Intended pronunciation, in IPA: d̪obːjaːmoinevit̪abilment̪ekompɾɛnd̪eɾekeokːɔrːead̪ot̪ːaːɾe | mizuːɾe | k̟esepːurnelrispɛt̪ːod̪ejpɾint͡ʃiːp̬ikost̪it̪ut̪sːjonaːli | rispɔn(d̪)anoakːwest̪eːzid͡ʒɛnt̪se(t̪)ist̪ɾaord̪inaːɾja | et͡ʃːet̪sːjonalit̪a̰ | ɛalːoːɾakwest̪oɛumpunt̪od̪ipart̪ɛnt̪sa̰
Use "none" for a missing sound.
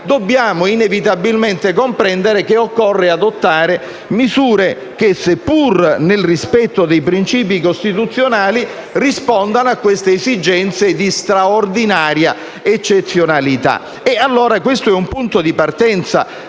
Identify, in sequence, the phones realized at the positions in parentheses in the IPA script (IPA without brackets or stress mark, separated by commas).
d̪, d̪